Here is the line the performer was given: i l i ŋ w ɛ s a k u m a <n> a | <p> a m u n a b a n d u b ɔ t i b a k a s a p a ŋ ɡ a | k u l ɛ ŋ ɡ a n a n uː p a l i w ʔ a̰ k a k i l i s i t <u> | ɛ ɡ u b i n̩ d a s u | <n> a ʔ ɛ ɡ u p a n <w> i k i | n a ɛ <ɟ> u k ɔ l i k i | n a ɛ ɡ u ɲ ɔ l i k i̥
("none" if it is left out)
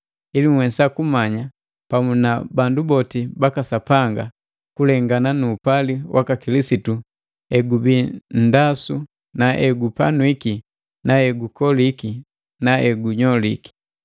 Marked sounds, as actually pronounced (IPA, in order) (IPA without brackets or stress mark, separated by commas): ɲ, p, u, n, w, ɡ